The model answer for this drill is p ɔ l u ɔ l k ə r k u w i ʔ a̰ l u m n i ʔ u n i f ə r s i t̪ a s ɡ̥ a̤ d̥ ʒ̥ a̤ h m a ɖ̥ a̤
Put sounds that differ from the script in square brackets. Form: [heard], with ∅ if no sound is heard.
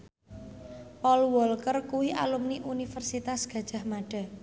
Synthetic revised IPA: p ɔ l [w] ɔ l k ə r k u w i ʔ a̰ l u m n i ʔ u n i f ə r s i t̪ a s ɡ̥ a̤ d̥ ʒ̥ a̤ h m a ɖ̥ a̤